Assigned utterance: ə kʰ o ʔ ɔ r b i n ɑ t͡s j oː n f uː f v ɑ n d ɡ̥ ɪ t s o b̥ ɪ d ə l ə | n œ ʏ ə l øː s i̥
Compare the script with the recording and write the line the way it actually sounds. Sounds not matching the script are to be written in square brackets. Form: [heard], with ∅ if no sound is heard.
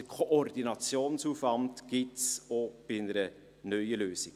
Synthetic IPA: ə kʰ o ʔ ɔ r [d] i n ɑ t͡s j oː n [s] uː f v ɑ n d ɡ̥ ɪ t s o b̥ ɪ [n] ə [ɾ] ə | n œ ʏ ə l øː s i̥